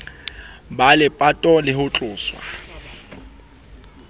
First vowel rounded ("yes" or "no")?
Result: no